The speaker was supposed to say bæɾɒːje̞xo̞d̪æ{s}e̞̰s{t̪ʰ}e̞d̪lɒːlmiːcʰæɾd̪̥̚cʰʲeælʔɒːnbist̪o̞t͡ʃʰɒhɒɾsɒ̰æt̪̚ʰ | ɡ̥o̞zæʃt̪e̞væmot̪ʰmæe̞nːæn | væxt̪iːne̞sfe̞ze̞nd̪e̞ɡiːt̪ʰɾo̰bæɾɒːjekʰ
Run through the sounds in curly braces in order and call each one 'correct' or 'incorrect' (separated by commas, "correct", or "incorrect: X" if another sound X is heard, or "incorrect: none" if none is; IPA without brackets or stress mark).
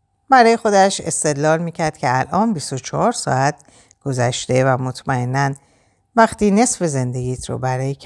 incorrect: ʃ, incorrect: t̪